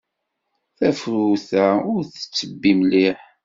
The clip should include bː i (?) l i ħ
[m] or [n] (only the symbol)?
m